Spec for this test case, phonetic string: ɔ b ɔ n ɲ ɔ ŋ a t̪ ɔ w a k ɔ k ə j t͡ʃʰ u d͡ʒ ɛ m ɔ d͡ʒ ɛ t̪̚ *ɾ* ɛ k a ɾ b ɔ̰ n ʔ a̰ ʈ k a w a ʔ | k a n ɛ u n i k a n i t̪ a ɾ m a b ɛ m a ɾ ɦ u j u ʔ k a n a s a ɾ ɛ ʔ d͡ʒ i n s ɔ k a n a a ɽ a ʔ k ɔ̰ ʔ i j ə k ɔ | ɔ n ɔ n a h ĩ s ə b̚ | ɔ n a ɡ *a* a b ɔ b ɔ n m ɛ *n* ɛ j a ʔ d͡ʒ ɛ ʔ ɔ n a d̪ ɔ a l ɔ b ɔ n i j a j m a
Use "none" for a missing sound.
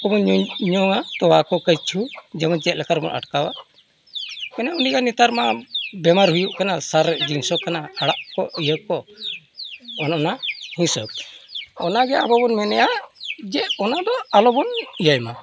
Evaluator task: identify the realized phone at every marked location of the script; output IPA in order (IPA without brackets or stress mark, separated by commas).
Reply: l, ɛ, n